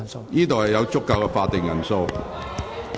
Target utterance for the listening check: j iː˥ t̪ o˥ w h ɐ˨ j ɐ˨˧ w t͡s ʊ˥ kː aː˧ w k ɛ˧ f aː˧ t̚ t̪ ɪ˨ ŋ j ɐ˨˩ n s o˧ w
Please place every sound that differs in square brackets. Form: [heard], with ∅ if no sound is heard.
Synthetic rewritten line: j iː˥ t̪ [o˨] w h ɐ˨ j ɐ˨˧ w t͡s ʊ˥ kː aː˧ w k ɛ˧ f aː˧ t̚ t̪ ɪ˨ ŋ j ɐ˨˩ n s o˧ w